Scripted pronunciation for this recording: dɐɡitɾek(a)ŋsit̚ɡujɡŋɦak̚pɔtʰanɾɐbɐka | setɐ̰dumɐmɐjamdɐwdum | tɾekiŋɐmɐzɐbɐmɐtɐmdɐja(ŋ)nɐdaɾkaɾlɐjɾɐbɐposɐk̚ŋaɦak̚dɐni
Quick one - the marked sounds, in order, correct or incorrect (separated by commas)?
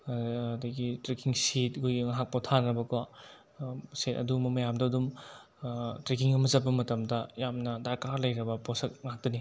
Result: incorrect, incorrect